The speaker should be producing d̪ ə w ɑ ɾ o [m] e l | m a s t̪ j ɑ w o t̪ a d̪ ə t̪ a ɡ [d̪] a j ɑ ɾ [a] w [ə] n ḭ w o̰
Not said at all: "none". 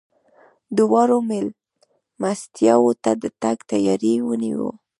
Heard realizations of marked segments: m, t̪, i, ə

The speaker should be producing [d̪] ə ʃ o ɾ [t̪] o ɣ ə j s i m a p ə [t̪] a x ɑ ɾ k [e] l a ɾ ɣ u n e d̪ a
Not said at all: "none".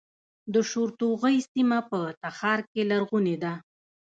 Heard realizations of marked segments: d̪, t̪, t̪, e

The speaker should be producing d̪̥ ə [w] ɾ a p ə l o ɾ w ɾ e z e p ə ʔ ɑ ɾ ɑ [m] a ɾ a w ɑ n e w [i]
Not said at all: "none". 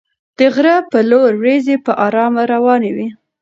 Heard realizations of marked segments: ɣ, m, i

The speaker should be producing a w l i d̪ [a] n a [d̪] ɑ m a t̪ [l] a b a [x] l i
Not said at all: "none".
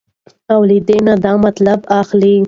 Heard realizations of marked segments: e, d̪, l, x

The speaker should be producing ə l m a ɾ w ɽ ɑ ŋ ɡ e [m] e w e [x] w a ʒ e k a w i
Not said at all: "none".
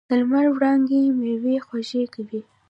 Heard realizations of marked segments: m, x

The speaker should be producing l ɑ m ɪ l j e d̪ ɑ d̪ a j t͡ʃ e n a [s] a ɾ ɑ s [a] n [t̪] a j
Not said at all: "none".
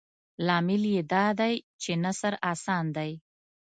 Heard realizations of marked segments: s, ɑ, d̪

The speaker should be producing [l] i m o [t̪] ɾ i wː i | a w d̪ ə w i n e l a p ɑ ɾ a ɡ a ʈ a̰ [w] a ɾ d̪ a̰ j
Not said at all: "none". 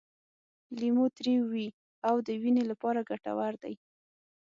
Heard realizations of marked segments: l, t̪, w

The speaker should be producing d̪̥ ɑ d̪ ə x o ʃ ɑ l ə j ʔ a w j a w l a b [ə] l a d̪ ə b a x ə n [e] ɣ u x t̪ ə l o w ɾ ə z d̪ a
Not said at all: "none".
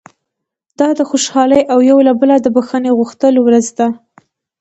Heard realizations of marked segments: ə, e

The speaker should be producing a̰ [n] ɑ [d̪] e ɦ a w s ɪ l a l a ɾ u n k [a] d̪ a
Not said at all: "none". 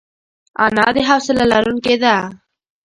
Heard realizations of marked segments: n, d̪, e

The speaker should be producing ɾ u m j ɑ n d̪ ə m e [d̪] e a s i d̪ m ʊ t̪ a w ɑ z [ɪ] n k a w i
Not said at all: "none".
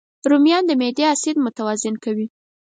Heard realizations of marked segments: d̪, ɪ

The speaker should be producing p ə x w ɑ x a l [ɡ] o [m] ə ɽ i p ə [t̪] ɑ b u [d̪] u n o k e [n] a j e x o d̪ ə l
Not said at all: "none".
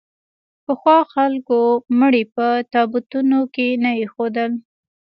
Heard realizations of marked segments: k, m, t̪, t̪, n

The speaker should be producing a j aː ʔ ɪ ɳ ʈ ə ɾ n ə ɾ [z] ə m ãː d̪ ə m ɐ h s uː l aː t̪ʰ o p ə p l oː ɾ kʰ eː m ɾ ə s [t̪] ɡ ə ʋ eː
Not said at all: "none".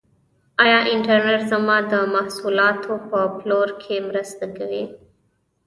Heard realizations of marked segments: z, t̪

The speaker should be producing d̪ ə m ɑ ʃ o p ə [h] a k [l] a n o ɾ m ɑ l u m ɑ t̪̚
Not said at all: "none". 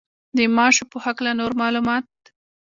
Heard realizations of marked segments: h, l

